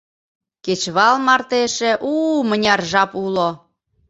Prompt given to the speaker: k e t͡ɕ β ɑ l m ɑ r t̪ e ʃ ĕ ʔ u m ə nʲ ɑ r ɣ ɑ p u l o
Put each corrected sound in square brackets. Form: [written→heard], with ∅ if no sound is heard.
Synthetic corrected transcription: k e t͡ɕ β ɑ l m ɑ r t̪ e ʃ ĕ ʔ u m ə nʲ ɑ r [ɣ→ʒ] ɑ p u l o